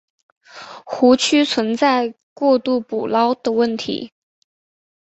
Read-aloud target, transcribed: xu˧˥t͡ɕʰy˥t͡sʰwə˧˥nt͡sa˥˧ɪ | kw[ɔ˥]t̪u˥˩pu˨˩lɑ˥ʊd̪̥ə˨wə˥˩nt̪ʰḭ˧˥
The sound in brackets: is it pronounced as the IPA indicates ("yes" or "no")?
no